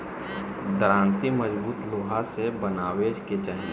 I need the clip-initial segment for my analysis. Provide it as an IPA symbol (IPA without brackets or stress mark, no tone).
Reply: d̪